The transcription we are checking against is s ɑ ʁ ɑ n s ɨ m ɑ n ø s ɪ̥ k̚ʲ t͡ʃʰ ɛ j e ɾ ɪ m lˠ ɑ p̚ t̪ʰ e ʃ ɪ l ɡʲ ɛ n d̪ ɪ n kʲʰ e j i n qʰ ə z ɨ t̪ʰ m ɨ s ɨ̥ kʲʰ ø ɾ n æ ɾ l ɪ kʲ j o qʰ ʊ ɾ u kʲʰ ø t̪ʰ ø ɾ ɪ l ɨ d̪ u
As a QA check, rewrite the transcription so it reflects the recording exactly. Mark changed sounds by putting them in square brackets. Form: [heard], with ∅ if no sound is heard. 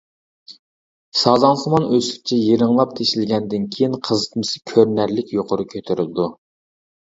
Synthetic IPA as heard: s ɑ [z] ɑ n s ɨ m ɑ n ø s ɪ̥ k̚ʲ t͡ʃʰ ɛ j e ɾ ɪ [ŋ] lˠ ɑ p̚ t̪ʰ e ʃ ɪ l ɡʲ ɛ n d̪ ɪ n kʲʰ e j i n qʰ ə z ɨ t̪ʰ m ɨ s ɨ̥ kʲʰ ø ɾ n æ ɾ l ɪ kʲ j o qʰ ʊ ɾ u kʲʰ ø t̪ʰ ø ɾ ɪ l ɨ d̪ u